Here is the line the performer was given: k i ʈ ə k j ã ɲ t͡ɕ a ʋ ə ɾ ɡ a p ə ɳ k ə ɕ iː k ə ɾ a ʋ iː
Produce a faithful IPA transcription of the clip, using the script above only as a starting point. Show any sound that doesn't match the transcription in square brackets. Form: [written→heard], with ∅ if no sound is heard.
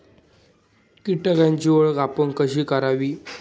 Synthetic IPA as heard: k i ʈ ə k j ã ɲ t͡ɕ [a→i] ʋ ə [ɾ→ɭ] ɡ a p ə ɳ k ə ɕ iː k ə ɾ a ʋ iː